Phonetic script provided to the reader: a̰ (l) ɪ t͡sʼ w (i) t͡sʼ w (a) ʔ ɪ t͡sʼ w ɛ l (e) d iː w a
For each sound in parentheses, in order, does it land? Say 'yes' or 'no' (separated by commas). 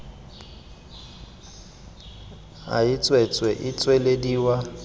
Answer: no, no, no, yes